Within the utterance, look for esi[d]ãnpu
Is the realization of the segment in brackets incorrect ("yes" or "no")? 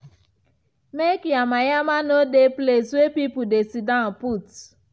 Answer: no